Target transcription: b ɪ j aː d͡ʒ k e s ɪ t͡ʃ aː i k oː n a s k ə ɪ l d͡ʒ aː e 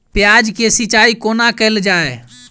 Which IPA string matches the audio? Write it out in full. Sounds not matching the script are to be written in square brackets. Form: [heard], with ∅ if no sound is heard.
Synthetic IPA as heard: [p] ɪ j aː d͡ʒ k e s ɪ t͡ʃ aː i k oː n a [∅] k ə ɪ l d͡ʒ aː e